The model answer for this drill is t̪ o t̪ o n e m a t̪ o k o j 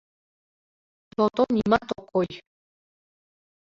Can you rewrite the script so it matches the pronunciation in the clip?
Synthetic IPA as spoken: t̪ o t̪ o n i m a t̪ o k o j